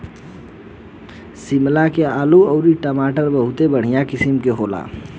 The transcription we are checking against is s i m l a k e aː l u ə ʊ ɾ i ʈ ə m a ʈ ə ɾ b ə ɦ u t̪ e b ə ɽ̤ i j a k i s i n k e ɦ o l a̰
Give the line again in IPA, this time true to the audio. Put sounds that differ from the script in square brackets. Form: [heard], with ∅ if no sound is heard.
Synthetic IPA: s i m l a k e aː l u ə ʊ ɾ i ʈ ə m a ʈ ə ɾ b ə ɦ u t̪ e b ə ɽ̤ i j a k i s i [m] k e ɦ o l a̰